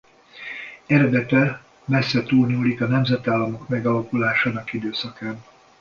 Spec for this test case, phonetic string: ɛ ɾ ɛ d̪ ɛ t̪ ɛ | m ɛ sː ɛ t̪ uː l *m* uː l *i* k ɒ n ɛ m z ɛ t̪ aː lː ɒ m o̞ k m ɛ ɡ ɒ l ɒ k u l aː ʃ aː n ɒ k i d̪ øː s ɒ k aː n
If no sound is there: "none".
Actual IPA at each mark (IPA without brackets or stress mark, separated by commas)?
ɲ, i